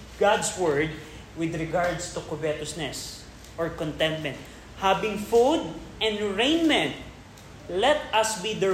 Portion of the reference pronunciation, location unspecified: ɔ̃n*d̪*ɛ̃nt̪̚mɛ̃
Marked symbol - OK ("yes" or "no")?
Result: no